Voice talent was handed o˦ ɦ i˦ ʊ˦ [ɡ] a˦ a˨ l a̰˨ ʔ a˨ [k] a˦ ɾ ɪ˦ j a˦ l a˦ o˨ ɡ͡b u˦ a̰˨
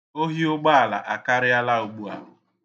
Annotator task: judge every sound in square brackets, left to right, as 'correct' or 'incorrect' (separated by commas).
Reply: incorrect, correct